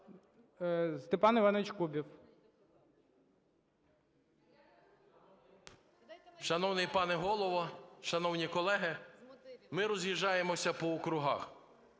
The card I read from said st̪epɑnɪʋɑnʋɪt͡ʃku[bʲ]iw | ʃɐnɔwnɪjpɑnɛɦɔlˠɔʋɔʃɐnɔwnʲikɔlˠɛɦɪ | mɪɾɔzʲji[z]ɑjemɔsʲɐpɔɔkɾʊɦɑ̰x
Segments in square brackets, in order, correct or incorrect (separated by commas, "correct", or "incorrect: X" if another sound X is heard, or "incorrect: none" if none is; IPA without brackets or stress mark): correct, incorrect: ʒ